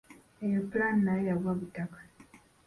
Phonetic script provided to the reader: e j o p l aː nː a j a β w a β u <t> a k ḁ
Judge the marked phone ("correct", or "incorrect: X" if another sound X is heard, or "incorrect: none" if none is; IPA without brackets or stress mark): correct